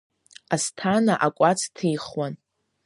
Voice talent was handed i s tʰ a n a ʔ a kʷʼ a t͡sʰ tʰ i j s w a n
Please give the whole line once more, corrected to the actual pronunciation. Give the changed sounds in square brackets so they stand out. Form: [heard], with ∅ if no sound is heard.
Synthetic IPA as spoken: [a] s tʰ a n a ʔ a kʷʼ a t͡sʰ tʰ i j [χ] w a n

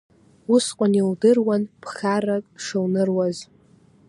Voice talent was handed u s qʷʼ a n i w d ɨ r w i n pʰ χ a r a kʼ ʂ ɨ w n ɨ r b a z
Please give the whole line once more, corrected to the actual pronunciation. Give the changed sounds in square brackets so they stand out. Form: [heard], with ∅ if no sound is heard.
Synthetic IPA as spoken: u s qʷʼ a n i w d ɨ r w [a] n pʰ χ a r a kʼ ʂ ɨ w n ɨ r [w] a z

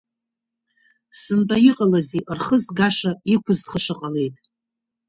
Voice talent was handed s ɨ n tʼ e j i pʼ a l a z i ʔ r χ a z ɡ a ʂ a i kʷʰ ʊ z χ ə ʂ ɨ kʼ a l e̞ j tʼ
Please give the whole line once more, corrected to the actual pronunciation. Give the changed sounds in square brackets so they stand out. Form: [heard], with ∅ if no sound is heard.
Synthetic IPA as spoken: s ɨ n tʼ [a] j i [qʼ] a l a z i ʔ r χ [ə] z ɡ a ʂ a i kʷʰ ʊ z χ ə ʂ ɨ [qʼ] a l e̞ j tʼ

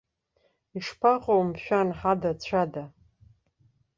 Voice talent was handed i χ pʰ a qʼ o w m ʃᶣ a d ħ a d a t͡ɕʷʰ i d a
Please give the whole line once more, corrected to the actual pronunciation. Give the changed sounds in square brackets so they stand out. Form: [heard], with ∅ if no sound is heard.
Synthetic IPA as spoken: i [ʂ] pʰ a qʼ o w m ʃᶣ a [n] ħ a d a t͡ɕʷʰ [a] d a

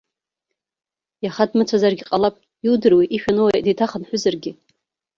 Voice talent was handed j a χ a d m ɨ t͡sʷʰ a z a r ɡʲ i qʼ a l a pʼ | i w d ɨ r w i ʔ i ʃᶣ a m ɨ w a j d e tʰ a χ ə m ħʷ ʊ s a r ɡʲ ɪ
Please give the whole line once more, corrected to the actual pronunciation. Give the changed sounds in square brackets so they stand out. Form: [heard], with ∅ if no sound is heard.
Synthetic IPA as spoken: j a χ a d m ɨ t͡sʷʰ a z a r ɡʲ i qʼ a l a pʼ | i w d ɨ r w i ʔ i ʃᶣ a [n] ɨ w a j d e tʰ a χ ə [n] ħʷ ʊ [z] a r ɡʲ ɪ

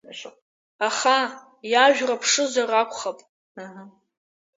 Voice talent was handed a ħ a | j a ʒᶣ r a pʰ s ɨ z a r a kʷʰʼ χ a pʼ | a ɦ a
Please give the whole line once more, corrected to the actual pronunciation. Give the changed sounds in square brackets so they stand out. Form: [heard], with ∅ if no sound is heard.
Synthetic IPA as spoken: a [χ] a | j a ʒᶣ r a pʰ [ʂ] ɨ z a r a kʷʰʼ χ a pʼ | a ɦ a

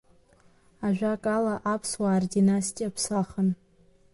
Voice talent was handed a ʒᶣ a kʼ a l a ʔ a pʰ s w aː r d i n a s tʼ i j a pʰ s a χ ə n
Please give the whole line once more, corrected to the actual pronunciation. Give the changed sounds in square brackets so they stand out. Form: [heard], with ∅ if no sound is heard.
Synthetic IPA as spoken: a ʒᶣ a kʼ a l a ʔ a pʰ s w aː r d i n a s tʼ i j a pʰ s a χ ə n

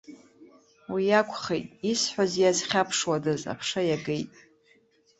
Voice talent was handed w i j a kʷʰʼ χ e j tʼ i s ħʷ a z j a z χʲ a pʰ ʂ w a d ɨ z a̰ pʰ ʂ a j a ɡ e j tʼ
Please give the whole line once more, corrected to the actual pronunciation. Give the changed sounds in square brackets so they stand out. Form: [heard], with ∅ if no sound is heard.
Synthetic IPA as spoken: w i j a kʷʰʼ χ e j tʼ i s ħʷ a z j a z χʲ a pʰ ʂ w a d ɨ z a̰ pʰ ʂ a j a ɡ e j tʼ

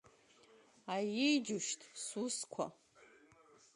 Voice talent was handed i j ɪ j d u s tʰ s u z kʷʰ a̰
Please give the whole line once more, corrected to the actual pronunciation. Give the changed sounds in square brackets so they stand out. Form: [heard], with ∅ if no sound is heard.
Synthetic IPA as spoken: [a] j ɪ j [d͡ʒ] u [ʃ] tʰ s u [s] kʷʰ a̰

